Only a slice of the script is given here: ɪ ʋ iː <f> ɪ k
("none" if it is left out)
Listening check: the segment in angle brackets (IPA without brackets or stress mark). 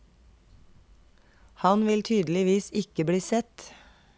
s